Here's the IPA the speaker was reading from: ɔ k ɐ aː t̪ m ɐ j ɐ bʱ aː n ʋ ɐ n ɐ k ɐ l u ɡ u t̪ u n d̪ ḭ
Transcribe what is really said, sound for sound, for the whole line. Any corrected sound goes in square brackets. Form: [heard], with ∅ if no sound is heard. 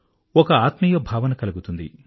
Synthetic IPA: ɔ k ɐ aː t̪ m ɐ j ɐ bʱ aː [∅] ʋ ɐ n ɐ k ɐ l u ɡ u t̪ u n d̪ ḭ